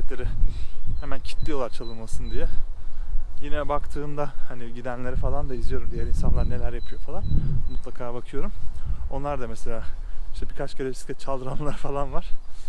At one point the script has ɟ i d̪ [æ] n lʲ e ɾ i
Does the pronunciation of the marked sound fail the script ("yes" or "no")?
no